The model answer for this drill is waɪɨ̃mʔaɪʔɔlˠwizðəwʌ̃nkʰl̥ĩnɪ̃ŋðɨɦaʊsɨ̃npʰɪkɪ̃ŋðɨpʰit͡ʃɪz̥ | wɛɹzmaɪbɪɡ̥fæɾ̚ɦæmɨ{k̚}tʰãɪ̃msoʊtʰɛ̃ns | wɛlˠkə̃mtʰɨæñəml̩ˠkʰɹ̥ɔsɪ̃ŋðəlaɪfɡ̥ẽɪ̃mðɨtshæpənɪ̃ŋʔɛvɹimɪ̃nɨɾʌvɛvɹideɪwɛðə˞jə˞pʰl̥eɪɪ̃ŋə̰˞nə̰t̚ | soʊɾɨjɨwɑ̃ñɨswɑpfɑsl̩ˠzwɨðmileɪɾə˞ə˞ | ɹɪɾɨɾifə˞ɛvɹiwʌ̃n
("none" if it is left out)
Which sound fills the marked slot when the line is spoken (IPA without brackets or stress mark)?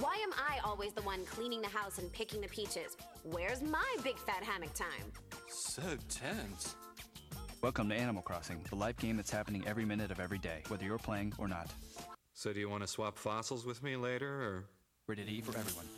k̚